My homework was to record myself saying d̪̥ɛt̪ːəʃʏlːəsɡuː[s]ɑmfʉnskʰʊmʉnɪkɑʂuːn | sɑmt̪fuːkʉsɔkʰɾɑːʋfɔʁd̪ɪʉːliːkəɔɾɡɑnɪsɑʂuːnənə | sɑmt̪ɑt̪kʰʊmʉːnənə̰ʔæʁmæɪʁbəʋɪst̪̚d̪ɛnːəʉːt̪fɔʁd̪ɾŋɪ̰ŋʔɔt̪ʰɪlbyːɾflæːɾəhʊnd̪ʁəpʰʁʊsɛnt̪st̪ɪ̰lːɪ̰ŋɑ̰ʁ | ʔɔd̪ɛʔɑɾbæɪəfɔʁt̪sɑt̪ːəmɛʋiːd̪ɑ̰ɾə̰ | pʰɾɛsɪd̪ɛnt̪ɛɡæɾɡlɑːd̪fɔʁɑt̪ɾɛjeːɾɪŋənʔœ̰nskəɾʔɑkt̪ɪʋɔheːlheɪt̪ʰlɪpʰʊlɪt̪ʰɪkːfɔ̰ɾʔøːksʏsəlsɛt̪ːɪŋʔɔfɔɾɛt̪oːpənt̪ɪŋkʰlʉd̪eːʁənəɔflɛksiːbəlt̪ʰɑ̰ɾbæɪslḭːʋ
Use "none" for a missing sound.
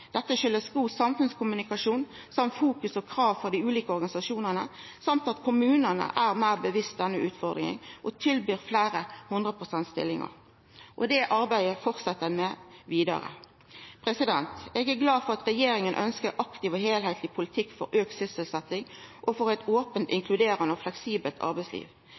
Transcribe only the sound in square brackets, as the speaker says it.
s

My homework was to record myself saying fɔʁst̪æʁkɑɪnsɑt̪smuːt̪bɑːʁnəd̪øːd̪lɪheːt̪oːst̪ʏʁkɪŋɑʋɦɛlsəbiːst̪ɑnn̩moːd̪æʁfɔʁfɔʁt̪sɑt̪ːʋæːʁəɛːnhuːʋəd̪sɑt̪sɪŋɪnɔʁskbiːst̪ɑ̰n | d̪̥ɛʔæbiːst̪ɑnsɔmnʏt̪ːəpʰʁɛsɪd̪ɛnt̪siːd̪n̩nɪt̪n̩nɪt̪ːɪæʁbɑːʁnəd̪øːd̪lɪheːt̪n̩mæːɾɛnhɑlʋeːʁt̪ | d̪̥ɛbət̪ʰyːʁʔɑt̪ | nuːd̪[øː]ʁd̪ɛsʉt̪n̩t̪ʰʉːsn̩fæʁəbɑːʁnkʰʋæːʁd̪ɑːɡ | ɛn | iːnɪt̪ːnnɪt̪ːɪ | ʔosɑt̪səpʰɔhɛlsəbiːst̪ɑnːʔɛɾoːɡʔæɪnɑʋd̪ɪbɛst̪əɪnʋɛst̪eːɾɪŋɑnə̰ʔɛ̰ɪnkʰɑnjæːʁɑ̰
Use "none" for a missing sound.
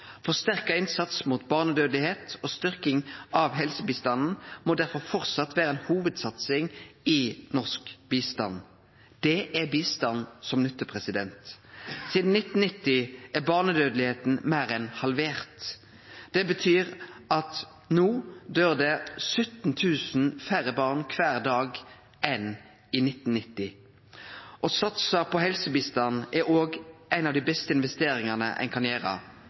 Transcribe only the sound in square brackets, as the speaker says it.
øː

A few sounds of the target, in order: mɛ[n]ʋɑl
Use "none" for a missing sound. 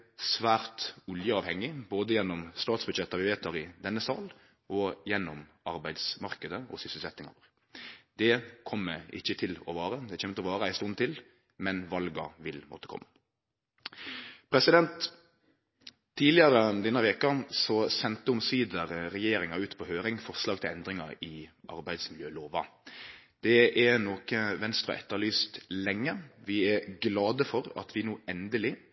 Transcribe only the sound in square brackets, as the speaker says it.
n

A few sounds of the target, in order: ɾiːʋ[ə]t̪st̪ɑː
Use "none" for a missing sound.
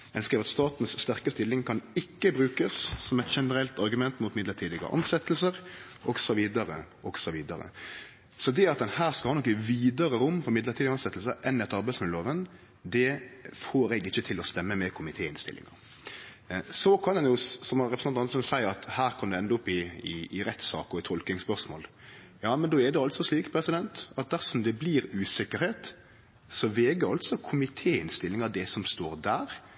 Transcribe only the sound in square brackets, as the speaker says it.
ɑ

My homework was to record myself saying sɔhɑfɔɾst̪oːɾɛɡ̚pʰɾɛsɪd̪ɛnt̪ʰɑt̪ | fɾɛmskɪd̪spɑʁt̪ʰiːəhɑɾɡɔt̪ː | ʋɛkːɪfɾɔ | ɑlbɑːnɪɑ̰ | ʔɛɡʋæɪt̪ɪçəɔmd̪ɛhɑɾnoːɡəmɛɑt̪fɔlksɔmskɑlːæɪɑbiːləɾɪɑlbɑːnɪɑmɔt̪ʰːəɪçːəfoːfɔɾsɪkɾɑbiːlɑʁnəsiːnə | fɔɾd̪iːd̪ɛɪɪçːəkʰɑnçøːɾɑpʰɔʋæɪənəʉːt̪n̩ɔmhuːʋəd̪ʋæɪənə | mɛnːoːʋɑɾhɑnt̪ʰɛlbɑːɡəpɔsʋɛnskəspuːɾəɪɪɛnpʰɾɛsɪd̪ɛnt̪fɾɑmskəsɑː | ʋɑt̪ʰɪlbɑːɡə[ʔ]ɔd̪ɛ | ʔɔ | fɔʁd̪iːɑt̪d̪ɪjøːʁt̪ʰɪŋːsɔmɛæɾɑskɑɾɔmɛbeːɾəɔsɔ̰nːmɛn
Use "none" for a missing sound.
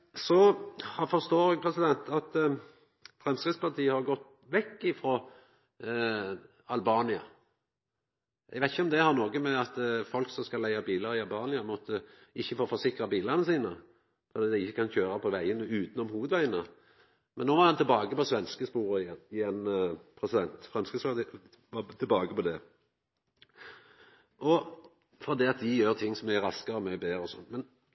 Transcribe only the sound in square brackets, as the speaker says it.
p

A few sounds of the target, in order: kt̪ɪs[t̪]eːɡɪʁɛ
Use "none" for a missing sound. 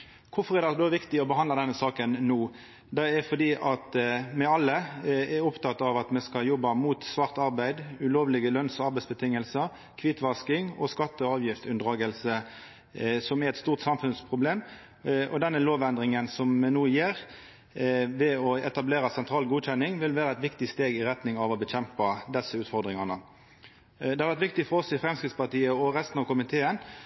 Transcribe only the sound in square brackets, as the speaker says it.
t̪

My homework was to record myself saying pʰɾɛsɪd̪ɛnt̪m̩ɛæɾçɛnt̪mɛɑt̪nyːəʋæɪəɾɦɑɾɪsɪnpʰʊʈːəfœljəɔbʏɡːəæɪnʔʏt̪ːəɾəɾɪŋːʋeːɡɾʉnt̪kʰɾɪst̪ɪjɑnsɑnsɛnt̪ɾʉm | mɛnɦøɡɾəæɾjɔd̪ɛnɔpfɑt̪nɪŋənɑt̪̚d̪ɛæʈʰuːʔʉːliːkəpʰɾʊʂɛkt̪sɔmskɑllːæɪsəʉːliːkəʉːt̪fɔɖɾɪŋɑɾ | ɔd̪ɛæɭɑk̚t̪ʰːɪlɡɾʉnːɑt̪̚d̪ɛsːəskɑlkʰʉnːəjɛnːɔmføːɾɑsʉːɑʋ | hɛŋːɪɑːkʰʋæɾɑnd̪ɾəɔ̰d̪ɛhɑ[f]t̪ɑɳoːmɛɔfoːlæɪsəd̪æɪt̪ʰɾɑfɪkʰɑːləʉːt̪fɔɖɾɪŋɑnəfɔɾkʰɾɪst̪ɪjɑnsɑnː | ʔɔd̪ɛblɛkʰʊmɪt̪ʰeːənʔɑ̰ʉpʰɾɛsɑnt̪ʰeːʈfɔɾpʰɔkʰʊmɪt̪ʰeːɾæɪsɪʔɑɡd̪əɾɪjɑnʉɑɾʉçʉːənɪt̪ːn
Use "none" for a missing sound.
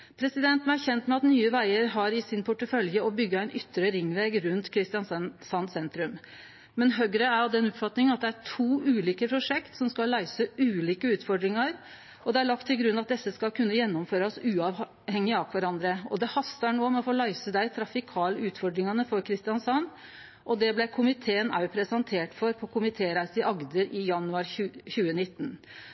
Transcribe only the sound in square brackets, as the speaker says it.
s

